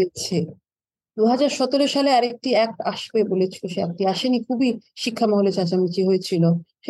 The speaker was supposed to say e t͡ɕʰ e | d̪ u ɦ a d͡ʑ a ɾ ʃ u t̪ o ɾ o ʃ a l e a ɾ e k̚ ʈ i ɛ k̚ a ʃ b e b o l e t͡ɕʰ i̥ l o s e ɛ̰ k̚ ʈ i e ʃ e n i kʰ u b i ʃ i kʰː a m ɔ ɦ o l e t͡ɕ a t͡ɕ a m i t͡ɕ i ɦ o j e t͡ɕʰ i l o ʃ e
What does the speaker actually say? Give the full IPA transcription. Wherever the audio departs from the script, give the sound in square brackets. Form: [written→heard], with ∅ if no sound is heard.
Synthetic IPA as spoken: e t͡ɕʰ e | d̪ u ɦ a d͡ʑ a ɾ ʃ [u→ɔ] t̪ o ɾ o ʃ a l e a ɾ e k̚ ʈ i ɛ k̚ a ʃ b e b o l e t͡ɕʰ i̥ l o [s→ʃ] e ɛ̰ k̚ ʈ i [e→a] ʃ e n i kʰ u b i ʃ i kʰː a m ɔ ɦ o l e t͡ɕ a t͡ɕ a m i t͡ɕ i ɦ o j e t͡ɕʰ i l o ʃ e